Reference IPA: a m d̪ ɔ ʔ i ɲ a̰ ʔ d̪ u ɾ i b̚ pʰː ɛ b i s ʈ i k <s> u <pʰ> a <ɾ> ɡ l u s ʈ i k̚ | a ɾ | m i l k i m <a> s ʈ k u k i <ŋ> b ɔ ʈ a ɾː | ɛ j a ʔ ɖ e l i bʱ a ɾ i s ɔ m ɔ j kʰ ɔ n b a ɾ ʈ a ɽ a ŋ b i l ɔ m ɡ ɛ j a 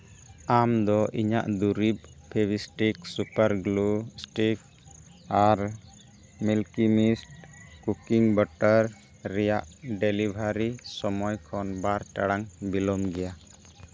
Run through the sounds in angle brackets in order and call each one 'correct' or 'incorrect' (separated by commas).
correct, incorrect, correct, incorrect, correct